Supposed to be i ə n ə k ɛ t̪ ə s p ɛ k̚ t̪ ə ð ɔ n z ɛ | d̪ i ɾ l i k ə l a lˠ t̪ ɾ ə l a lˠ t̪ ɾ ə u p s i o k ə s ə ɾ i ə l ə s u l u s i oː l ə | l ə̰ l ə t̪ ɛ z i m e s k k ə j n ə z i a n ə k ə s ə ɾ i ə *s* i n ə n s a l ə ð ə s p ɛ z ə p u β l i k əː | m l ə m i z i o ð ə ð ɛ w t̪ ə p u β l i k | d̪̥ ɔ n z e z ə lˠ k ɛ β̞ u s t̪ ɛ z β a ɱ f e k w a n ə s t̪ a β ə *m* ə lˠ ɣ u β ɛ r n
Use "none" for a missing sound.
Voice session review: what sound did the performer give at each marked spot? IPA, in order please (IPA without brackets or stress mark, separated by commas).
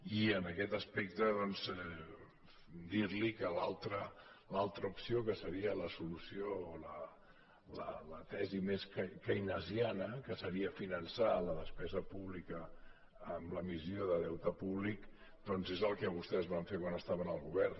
f, n